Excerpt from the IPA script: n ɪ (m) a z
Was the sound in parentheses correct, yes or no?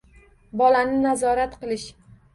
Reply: no